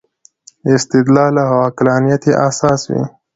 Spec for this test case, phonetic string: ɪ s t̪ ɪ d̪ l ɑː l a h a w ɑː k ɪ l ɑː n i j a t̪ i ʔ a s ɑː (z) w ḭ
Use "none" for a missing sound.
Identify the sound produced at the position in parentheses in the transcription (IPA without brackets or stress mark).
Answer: s